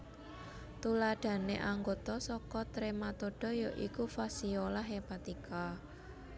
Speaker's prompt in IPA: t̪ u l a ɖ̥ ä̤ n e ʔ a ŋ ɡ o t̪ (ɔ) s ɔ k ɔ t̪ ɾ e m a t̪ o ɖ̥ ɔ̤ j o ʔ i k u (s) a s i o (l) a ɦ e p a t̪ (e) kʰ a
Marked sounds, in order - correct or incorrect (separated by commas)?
correct, incorrect, correct, incorrect